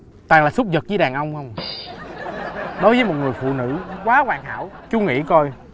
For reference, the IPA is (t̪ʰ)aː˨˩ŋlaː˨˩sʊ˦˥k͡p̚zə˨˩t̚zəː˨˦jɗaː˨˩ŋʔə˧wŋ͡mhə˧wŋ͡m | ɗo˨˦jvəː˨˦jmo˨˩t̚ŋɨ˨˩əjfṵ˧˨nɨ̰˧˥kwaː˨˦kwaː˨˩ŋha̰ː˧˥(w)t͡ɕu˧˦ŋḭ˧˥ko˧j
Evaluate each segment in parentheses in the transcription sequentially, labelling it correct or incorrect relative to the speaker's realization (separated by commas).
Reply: incorrect, correct